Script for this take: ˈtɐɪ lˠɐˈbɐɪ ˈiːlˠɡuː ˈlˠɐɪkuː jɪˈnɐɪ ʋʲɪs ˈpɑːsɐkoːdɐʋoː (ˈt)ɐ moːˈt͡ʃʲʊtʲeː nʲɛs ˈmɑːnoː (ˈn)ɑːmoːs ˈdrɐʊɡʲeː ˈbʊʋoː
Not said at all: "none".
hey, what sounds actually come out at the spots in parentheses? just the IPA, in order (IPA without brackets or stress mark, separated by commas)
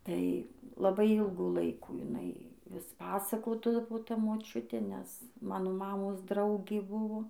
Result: t, m